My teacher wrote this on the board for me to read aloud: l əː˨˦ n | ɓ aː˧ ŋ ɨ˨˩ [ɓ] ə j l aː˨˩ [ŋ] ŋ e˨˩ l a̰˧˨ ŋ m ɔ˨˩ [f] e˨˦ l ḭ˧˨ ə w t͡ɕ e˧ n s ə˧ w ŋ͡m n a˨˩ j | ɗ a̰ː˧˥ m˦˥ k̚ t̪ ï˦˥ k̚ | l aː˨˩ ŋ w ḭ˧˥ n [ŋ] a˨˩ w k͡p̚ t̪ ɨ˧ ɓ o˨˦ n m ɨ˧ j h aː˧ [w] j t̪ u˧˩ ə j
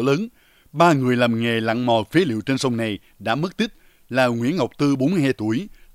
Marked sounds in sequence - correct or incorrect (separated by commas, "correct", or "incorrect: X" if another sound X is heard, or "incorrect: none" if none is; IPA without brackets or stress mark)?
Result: incorrect: none, incorrect: m, correct, correct, incorrect: none